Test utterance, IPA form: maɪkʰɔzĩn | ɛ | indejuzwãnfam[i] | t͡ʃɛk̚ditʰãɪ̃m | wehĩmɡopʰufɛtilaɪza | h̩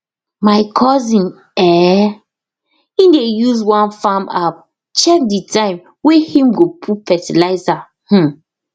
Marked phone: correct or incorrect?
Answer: incorrect